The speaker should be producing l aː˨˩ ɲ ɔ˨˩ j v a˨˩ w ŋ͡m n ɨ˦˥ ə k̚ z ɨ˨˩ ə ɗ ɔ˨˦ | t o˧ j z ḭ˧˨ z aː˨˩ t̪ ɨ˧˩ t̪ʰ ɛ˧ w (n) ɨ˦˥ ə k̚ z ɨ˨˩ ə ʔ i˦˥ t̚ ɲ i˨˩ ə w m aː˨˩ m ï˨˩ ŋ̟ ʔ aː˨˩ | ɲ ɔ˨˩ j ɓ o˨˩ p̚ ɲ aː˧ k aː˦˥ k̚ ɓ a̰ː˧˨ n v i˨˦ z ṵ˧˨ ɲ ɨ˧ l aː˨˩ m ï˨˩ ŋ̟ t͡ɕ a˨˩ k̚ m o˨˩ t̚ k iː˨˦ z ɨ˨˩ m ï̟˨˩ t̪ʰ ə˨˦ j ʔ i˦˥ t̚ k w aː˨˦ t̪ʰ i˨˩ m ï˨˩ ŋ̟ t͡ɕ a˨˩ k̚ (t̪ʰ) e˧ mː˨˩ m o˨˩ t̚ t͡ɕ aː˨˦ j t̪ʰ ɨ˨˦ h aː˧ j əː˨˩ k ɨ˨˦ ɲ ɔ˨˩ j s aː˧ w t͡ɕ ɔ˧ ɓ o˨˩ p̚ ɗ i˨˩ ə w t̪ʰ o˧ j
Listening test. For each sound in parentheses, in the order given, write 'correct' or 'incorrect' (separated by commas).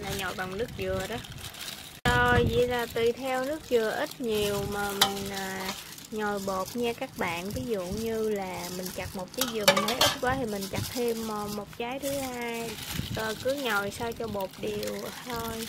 correct, correct